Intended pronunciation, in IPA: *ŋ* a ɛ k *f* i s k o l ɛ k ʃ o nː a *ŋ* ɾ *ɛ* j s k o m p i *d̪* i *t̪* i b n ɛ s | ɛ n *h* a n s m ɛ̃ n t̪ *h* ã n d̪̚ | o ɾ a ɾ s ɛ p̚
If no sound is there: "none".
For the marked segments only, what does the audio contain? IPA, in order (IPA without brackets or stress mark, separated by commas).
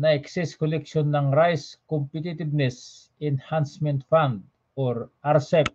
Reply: n, s, ŋ, a, t̪, t̪, h, f